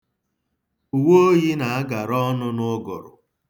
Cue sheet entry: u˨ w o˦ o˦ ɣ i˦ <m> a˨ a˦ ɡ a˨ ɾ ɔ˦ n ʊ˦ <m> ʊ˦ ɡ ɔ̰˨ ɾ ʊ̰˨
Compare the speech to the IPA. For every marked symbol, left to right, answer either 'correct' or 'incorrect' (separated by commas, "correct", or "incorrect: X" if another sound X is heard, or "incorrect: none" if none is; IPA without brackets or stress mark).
incorrect: n, incorrect: n